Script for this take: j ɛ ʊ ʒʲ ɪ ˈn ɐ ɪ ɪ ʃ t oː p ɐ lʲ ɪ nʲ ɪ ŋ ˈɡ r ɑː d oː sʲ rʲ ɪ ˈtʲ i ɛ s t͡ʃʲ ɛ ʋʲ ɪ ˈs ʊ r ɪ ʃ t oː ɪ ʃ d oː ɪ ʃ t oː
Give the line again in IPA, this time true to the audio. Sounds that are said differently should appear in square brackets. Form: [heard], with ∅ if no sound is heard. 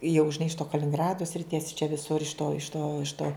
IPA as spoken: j ɛ ʊ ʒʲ ɪ ˈn ɐ ɪ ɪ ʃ t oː [k] ɐ lʲ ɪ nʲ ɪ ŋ ˈɡ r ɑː d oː sʲ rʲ ɪ ˈtʲ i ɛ s t͡ʃʲ ɛ ʋʲ ɪ ˈs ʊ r ɪ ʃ t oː ɪ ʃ [t] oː ɪ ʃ t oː